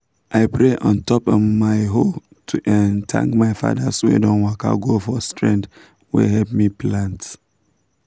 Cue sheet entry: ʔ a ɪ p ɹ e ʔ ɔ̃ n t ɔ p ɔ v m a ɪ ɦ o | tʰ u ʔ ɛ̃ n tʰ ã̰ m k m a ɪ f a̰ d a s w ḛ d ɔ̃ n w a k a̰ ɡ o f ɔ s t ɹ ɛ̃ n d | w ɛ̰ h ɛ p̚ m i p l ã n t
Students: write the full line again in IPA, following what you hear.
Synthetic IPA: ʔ a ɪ p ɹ e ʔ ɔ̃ n t ɔ p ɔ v m a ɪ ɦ o | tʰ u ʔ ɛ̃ n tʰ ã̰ ŋ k m a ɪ f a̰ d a s w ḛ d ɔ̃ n w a k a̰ ɡ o f ɔ s t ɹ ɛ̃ n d | w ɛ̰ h ɛ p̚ m i p l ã n t